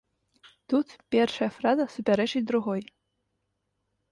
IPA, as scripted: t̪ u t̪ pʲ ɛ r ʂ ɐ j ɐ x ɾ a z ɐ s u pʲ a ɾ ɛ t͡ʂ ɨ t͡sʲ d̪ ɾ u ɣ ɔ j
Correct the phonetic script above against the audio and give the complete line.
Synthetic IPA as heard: t̪ u t̪ pʲ ɛ r ʂ ɐ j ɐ f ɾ a z ɐ s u pʲ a ɾ ɛ t͡ʂ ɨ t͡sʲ d̪ ɾ u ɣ ɔ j